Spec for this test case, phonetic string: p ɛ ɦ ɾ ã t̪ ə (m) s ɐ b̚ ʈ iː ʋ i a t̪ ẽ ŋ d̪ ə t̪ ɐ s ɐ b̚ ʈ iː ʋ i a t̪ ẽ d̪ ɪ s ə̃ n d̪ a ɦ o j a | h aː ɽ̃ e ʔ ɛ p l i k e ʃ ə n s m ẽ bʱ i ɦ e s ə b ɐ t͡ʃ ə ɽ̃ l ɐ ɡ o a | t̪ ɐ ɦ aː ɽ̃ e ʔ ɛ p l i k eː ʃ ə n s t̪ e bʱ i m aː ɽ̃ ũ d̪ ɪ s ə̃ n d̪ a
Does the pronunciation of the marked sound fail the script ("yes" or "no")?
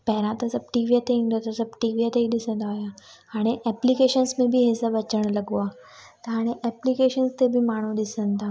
yes